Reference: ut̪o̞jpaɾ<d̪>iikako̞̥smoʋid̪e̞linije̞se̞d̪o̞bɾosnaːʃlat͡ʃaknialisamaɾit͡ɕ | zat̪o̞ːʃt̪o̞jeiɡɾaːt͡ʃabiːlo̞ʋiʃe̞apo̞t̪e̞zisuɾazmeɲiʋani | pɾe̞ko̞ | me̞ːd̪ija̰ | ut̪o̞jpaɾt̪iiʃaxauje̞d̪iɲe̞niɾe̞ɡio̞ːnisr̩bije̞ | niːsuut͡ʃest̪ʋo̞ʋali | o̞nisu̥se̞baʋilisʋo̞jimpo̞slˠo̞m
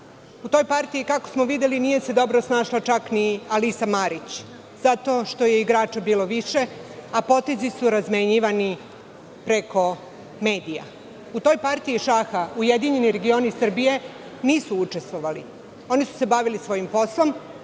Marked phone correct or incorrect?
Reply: incorrect